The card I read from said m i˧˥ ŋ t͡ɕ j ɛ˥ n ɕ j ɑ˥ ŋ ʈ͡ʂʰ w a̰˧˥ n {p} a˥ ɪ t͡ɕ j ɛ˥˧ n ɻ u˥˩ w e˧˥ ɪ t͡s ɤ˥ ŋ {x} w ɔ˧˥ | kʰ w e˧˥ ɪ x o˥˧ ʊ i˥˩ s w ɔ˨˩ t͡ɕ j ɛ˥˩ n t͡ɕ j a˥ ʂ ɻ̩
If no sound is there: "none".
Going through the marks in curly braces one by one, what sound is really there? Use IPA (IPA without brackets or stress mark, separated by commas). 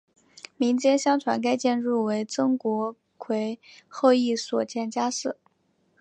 k, k